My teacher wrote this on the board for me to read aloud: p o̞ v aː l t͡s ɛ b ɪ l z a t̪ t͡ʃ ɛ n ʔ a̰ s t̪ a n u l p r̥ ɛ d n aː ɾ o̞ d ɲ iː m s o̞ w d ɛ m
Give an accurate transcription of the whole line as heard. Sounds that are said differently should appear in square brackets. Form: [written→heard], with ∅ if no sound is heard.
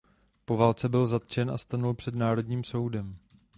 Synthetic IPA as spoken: p o̞ v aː l t͡s ɛ b ɪ l z a t̪ t͡ʃ ɛ n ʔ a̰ s t̪ a n u l p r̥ ɛ d n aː ɾ o̞ d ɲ iː m s o̞ w d ɛ m